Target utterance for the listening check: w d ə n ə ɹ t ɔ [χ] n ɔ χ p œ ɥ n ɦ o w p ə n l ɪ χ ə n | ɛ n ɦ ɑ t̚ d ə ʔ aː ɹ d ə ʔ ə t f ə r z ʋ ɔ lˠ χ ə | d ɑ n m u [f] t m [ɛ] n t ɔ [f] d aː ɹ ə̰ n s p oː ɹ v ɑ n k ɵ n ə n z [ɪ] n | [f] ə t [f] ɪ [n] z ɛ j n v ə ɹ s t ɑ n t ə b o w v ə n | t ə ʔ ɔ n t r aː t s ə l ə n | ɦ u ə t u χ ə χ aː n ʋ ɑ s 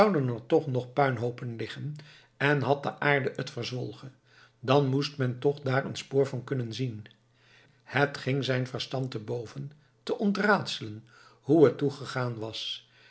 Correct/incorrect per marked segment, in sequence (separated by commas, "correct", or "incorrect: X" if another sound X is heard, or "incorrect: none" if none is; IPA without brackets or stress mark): correct, incorrect: s, correct, incorrect: χ, incorrect: i, incorrect: h, incorrect: χ, incorrect: ŋ